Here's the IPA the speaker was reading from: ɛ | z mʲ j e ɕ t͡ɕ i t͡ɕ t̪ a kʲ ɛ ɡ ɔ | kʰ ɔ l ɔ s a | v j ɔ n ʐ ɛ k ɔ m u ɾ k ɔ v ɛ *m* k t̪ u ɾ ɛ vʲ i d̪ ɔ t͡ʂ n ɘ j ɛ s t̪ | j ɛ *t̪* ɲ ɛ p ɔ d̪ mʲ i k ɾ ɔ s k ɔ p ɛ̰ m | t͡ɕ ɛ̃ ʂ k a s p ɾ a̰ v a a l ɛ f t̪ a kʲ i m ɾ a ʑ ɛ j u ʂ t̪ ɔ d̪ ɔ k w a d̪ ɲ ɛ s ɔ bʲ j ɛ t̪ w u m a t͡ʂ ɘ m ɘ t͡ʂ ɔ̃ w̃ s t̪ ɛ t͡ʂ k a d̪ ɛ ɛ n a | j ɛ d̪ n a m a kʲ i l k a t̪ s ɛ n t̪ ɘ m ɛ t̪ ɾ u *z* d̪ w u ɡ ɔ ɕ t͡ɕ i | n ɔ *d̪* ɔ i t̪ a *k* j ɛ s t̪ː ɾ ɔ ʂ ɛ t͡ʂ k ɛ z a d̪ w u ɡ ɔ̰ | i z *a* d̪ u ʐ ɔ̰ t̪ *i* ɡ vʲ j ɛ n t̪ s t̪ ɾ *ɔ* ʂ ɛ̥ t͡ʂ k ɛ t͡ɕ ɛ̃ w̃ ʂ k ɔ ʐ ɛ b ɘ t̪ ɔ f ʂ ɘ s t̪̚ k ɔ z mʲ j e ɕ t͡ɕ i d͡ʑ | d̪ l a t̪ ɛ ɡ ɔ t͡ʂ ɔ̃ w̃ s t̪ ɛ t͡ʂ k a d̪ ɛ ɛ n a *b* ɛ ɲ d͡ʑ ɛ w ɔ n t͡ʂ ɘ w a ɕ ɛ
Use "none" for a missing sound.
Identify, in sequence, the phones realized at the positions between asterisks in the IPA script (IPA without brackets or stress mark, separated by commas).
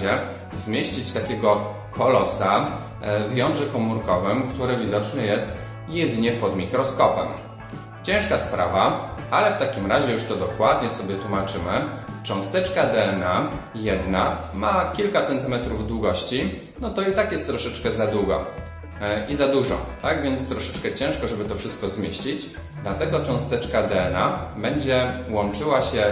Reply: m, d̪, v, t̪, k, a, a, ɔ, b